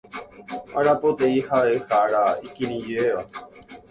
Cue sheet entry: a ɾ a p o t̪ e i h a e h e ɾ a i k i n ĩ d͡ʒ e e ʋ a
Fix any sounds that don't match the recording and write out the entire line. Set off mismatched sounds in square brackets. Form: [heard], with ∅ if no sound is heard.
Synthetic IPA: a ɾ a p o t̪ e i h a e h [a] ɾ a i k i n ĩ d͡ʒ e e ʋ a